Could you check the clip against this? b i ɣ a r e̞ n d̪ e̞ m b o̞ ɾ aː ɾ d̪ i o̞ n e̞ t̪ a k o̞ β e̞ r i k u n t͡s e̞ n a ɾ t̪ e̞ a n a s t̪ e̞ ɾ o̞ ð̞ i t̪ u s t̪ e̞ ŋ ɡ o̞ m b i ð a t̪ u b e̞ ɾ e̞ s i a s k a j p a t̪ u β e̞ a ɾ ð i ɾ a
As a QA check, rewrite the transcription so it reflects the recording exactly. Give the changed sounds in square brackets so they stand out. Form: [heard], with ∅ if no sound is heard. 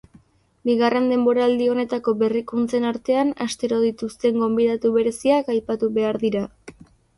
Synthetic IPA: b i ɣ a r e̞ n d̪ e̞ m b o̞ ɾ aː [l] d̪ i o̞ n e̞ t̪ a k o̞ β e̞ r i k u n t͡s e̞ n a ɾ t̪ e̞ a n a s t̪ e̞ ɾ o̞ ð̞ i t̪ u s t̪ e̞ ŋ ɡ o̞ m b i ð a t̪ u [β] e̞ ɾ e̞ s i a [∅] k a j p a t̪ u β e̞ a ɾ ð i ɾ a